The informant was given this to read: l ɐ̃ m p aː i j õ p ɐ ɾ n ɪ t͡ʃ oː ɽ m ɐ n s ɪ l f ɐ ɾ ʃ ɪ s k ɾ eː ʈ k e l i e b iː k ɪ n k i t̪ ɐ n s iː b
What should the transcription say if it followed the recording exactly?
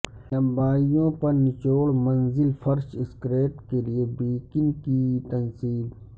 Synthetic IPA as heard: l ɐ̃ m b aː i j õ p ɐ ɾ n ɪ t͡ʃ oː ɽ m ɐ n z ɪ l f ɐ ɾ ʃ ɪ s k ɾ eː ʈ k e l i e b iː k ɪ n k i t̪ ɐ n s iː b